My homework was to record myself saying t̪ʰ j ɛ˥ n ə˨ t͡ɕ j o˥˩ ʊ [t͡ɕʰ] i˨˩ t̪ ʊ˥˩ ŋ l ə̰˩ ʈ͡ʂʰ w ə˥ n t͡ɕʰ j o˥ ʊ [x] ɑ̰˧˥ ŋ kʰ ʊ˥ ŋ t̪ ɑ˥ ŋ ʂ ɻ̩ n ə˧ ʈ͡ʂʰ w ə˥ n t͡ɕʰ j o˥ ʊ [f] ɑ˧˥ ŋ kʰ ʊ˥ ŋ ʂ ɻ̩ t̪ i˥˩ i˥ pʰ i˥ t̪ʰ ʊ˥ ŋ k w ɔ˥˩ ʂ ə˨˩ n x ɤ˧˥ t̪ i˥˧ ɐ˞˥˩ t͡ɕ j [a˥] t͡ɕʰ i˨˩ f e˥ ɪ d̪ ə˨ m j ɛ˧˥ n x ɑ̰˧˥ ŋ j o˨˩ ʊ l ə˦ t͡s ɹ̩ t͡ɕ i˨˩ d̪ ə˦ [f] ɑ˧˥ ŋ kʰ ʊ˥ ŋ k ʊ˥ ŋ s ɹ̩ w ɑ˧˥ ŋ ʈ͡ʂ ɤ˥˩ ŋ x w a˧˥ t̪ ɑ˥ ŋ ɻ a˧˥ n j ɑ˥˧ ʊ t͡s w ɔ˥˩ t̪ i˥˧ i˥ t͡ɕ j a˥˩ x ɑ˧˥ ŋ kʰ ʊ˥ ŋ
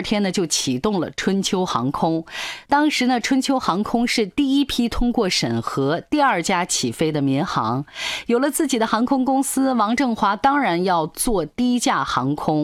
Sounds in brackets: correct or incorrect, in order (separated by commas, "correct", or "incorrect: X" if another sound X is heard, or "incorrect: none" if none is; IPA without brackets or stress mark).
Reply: correct, correct, incorrect: x, correct, incorrect: x